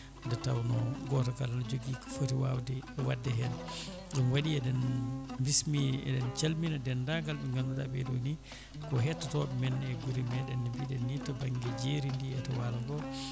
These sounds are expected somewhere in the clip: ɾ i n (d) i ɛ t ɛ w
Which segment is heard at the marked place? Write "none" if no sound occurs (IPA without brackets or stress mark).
d